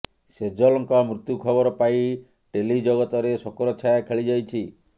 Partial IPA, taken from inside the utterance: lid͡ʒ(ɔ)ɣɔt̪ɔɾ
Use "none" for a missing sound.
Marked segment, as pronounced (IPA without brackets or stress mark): ɔ